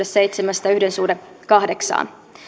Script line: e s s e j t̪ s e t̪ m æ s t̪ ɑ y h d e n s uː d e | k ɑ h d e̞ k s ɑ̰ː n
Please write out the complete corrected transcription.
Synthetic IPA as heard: e s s e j t̪ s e m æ s t̪ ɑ y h d e n s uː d e | k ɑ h d e̞ k s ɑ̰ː n